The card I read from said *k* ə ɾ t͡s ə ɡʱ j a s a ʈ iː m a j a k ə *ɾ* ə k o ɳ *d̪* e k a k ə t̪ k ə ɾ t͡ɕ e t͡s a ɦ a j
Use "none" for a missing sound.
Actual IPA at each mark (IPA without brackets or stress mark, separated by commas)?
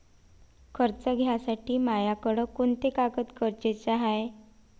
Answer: kʰ, ɽ, t̪